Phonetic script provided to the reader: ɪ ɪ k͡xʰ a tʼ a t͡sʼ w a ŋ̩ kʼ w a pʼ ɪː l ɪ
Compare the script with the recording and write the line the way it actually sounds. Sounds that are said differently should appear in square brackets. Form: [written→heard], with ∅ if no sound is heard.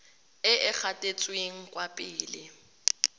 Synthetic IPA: ɪ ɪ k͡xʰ a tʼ [a→e] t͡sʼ w [a→e] ŋ̩ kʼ w a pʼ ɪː l ɪ